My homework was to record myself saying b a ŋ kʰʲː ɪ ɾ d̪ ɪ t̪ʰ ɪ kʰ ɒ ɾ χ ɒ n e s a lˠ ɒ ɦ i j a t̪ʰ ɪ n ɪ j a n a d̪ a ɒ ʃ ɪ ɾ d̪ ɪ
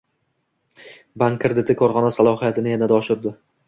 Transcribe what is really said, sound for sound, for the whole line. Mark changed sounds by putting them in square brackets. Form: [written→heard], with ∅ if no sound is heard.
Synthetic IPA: b a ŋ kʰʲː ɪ ɾ d̪ ɪ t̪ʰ ɪ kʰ ɒ ɾ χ ɒ n [e→a] s a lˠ ɒ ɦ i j a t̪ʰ ɪ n ɪ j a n a d̪ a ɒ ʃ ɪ ɾ d̪ ɪ